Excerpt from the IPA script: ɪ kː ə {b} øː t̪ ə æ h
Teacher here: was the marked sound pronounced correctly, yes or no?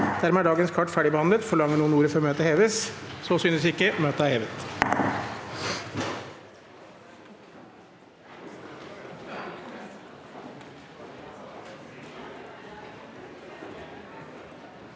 no